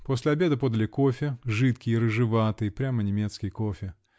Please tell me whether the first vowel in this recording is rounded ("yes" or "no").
yes